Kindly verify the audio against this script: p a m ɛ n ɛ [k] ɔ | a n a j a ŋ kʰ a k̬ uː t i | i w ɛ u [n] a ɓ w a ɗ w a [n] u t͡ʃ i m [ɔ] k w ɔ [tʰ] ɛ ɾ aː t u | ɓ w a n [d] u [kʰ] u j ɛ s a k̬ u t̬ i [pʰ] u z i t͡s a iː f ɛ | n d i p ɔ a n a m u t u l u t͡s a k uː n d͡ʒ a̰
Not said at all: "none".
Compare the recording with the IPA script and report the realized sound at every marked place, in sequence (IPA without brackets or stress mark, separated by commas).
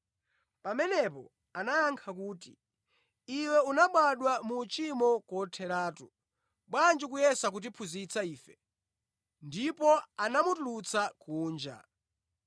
p, n, m, ɔ, tʰ, d͡ʒ, k, pʰ